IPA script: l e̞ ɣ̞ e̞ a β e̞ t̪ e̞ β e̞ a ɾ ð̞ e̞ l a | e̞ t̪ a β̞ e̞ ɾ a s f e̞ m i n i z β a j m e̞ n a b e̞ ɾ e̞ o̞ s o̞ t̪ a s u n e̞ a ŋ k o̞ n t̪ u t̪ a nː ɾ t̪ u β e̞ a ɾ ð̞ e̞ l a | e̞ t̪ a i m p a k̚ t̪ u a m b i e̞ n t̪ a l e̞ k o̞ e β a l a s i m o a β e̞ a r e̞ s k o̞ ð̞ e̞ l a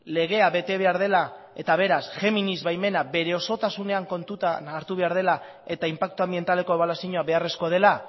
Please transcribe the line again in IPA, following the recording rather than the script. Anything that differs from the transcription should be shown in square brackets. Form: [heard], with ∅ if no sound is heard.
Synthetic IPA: l e̞ ɣ̞ e̞ a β e̞ t̪ e̞ β e̞ a ɾ ð̞ e̞ l a | e̞ t̪ a β̞ e̞ ɾ a s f e̞ m i n i z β a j m e̞ n a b e̞ ɾ e̞ o̞ s o̞ t̪ a s u n e̞ a ŋ k o̞ n t̪ u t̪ a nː ɾ t̪ u β e̞ a ɾ ð̞ e̞ l a | e̞ t̪ a i m p a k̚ t̪ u a m b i e̞ n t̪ a l e̞ k o̞ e β a l a s i [ɲ] o a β e̞ a r e̞ s k o̞ ð̞ e̞ l a